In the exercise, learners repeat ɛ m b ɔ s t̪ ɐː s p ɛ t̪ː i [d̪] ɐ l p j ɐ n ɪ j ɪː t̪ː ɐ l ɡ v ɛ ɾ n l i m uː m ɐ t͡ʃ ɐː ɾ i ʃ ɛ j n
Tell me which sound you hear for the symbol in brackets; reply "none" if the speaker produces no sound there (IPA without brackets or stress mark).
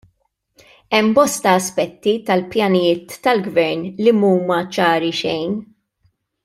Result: t̪